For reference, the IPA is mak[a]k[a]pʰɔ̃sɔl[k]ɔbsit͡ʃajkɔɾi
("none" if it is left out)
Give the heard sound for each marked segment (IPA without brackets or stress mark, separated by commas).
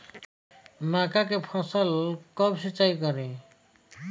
a, e, k